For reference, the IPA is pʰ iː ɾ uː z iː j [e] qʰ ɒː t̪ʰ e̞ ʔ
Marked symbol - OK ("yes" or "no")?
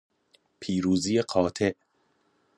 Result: yes